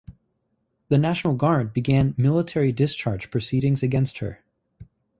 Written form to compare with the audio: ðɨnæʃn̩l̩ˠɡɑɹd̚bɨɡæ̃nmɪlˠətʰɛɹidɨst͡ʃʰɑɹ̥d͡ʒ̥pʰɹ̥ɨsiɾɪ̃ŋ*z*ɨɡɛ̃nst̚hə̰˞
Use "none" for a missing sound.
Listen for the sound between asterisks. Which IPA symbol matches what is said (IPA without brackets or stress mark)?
z